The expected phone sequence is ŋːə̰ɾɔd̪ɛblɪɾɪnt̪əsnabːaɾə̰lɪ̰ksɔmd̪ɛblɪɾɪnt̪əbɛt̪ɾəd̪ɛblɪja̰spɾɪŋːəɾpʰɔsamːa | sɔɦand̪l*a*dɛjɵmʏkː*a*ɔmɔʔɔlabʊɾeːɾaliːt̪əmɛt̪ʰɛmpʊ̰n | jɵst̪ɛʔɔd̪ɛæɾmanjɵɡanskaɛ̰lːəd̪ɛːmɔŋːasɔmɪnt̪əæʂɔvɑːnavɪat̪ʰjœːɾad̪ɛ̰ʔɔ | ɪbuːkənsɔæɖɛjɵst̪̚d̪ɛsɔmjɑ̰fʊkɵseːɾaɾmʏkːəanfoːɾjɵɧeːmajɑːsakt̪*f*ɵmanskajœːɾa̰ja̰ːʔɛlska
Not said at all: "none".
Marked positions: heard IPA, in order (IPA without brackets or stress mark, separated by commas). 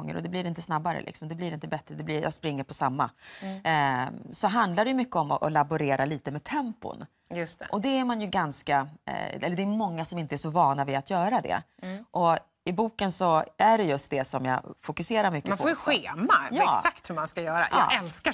a, ə, h